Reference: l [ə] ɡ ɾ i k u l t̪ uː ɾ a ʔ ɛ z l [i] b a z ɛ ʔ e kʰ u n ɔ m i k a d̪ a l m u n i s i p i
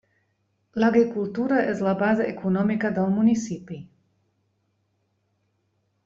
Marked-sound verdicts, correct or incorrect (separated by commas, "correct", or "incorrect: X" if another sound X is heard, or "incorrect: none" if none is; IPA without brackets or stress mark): incorrect: a, incorrect: a